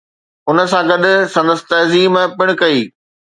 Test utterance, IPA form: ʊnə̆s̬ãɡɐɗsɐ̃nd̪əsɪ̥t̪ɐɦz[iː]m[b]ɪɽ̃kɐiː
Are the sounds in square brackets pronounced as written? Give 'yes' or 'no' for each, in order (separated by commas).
yes, no